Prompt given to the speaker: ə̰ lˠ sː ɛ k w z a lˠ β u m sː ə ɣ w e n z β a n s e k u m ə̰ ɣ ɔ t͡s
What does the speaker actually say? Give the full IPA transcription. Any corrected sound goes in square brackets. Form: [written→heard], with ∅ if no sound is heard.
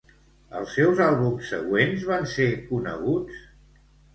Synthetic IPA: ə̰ lˠ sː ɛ [k→∅] w z a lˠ β u m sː ə ɣ w e n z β a n s e k u [m→n] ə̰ ɣ [ɔ→u] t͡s